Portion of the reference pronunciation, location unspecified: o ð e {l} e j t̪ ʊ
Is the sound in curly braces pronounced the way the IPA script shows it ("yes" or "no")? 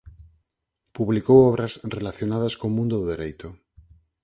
no